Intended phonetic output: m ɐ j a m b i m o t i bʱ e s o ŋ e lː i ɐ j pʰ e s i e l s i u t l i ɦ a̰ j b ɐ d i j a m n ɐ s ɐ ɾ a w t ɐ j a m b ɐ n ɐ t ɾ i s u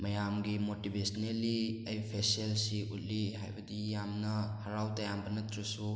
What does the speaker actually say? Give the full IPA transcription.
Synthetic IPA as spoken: m ɐ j a m ɡ i m o t i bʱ e s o n e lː i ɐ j pʰ e s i e l s i u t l i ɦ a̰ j b ɐ d i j a m n ɐ h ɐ ɾ a w t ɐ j a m b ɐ n ɐ t ɾ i s u